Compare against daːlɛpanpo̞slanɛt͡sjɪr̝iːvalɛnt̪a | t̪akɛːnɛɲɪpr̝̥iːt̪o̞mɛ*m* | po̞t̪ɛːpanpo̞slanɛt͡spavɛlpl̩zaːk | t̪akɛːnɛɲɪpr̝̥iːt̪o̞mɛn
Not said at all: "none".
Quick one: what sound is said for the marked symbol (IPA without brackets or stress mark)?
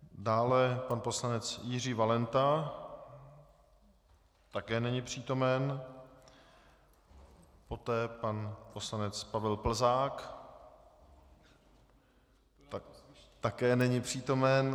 n